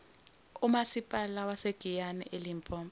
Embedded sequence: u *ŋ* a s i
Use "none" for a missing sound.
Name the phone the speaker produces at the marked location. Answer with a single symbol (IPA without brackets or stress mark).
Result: m